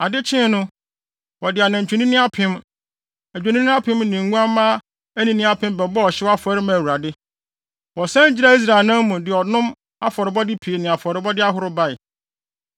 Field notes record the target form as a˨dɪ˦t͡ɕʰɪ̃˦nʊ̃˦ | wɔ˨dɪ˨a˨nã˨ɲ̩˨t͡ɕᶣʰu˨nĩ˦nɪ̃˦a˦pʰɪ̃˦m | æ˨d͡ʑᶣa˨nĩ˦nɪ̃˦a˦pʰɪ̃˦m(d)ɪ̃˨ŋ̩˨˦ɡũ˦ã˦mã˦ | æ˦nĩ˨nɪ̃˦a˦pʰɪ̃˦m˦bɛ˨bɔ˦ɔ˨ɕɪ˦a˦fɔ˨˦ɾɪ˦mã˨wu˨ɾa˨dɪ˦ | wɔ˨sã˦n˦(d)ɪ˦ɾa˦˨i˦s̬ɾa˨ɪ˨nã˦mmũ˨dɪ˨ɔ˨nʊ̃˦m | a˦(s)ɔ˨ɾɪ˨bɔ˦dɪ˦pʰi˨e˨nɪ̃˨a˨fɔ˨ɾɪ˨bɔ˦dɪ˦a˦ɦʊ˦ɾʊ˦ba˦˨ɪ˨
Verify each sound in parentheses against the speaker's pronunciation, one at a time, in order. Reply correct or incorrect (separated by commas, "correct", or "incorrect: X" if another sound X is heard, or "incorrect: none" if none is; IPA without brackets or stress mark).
incorrect: n, incorrect: d͡ʑ, incorrect: f